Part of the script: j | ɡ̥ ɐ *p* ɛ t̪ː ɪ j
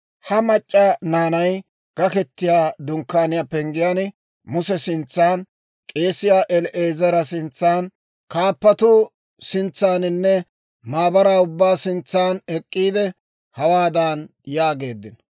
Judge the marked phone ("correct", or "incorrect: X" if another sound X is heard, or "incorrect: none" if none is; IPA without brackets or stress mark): incorrect: k